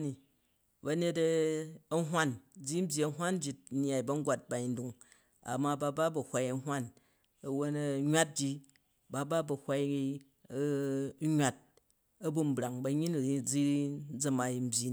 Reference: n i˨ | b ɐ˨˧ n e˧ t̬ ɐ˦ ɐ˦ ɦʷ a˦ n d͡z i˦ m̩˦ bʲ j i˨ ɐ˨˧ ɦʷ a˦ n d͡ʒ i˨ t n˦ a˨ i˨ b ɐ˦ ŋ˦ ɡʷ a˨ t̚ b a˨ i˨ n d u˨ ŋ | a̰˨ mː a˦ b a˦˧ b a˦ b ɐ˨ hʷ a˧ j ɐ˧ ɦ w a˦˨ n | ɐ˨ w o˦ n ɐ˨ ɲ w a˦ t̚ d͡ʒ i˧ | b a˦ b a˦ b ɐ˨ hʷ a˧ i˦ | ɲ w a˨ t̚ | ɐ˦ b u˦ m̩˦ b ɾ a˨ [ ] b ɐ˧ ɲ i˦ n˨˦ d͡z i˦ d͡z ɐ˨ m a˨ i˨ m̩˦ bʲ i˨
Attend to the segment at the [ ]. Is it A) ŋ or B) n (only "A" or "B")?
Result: A